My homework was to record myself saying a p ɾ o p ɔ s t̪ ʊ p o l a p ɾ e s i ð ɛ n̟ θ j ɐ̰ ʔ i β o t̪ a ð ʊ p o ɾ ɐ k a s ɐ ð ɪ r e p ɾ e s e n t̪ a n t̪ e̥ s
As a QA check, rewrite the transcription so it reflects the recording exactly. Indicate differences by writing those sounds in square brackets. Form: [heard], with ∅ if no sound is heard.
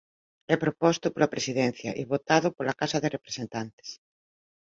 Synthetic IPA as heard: [ɛ] p ɾ o p ɔ s t̪ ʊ p o l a p ɾ e s i ð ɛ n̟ θ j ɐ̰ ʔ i β o t̪ a ð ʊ p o [l] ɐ k a s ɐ ð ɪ r e p ɾ e s e n t̪ a n t̪ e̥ s